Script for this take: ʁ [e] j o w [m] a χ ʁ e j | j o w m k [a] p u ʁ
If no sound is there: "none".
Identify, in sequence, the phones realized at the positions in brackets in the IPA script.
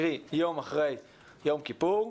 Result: i, m, i

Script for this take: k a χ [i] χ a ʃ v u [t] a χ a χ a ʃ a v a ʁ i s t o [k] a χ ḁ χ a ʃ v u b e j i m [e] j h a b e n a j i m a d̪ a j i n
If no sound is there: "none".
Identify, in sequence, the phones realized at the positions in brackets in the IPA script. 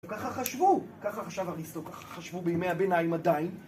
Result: a, k, k, e

